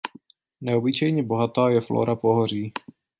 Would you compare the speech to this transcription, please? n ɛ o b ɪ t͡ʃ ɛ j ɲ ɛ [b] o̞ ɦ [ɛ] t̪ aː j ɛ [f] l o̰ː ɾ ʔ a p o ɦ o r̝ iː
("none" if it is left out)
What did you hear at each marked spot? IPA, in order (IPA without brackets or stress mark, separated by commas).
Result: b, a, f